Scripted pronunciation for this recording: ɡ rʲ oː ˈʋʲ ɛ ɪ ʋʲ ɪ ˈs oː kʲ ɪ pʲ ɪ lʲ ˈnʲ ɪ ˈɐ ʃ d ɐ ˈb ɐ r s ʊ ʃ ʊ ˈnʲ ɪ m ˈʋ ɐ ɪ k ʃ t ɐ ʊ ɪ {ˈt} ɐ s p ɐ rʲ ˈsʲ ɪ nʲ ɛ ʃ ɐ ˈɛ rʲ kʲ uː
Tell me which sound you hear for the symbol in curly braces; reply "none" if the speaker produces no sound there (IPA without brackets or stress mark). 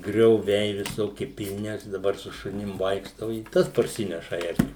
t